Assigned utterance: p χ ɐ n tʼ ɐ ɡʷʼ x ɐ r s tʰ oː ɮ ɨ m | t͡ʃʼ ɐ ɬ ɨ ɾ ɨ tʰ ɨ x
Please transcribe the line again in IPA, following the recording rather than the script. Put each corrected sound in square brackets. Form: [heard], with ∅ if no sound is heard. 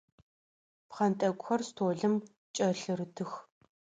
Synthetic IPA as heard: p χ ɐ n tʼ ɐ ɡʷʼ x ɐ r s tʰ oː ɮ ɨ m | t͡ʃʼ ɐ ɬ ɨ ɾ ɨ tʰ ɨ x

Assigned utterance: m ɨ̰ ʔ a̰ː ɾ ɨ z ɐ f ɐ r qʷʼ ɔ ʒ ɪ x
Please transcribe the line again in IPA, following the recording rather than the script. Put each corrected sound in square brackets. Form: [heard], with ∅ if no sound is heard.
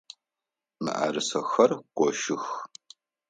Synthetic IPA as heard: m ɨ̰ ʔ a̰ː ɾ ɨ [s] ɐ [x] ɐ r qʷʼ ɔ [ʃ] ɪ x

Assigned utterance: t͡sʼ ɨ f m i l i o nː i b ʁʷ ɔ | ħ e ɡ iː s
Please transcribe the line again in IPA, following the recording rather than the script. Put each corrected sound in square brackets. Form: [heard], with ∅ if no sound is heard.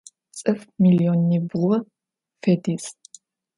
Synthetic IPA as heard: t͡sʼ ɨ f m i l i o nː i b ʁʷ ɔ | [f] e [d] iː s

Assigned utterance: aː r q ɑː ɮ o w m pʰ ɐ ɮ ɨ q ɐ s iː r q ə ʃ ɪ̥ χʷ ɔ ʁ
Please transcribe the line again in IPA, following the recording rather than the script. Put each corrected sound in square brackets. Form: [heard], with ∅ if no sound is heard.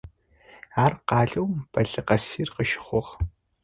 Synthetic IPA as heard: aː r q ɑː ɮ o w m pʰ ɐ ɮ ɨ q ɐ s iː r q ə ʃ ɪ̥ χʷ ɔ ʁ

